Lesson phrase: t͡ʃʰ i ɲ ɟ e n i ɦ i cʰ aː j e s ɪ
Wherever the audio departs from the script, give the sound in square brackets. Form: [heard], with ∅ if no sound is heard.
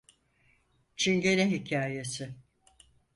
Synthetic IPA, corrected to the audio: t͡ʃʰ i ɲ ɟ e n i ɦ i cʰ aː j e s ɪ